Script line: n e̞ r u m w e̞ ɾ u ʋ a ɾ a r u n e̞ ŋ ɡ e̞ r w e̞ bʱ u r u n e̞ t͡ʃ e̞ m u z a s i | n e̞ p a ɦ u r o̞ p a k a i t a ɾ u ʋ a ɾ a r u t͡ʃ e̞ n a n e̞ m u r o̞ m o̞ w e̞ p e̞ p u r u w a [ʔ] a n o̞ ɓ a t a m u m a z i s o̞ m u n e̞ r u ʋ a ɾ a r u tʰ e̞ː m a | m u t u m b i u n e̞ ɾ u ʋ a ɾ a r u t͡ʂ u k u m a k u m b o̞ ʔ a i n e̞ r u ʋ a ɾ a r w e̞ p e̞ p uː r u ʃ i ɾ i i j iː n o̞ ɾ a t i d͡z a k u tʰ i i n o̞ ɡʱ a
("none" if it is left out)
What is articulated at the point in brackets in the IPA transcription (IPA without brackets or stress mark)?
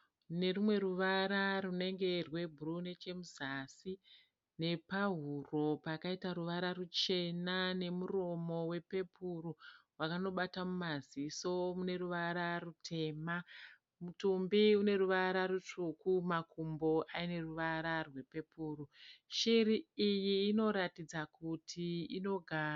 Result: k